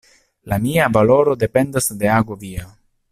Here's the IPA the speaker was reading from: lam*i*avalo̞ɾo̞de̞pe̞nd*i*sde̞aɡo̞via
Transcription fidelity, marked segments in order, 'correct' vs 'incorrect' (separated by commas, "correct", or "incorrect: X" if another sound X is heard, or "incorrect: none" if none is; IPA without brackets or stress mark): correct, incorrect: a